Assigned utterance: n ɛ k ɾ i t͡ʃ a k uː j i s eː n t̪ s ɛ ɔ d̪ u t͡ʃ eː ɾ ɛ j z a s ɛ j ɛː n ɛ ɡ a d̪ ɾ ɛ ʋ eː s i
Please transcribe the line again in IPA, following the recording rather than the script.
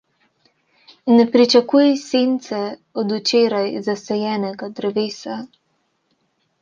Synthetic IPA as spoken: n ɛ p ɾ i t͡ʃ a k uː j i s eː n t̪ s ɛ ɔ d̪ u t͡ʃ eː ɾ a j z a s ɛ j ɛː n ɛ ɡ a d̪ ɾ ɛ ʋ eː s a